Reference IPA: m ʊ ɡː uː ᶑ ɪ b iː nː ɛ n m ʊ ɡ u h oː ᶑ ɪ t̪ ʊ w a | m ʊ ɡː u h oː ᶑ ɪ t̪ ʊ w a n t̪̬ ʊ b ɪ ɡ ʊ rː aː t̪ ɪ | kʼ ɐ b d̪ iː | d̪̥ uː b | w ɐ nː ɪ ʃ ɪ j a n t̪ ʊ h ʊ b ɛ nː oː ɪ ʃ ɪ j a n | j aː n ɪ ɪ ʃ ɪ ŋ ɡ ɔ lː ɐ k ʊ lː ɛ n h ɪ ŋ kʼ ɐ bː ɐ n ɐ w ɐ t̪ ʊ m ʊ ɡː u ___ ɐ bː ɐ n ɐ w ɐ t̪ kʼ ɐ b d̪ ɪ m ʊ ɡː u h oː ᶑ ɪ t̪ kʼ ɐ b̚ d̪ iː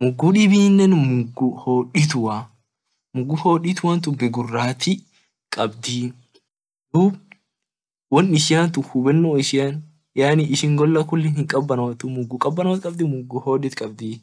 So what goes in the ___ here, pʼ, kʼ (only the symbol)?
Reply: kʼ